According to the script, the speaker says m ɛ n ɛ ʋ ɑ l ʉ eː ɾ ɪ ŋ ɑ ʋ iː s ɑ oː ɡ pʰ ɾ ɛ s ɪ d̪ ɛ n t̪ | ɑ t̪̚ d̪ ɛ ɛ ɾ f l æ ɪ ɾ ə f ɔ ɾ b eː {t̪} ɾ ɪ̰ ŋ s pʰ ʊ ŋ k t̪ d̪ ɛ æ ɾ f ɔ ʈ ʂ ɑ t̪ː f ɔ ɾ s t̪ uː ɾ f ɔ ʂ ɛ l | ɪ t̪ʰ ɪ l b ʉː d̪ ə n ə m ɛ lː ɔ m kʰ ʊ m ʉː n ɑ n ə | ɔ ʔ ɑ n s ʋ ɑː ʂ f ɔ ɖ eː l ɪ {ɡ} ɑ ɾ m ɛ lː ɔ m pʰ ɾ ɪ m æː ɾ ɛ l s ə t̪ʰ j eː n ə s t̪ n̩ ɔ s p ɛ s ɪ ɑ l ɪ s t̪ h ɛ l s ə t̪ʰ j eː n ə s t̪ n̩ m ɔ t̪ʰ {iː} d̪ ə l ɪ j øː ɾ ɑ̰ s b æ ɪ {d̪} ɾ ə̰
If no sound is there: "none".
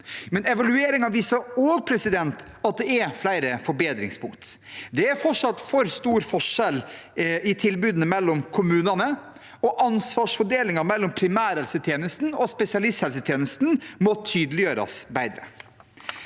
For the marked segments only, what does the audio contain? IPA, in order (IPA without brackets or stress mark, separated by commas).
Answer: d̪, ŋ, yː, d̪